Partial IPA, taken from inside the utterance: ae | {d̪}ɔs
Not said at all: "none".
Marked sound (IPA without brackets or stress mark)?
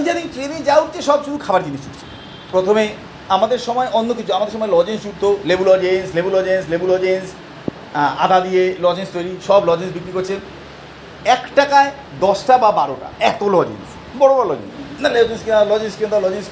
d̪